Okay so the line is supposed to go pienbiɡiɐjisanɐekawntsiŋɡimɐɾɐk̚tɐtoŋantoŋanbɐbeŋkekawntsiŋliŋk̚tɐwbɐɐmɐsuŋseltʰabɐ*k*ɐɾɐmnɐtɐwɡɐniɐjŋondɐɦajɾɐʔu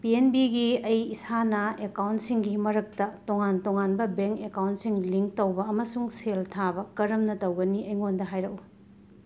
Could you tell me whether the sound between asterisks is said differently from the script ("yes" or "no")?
no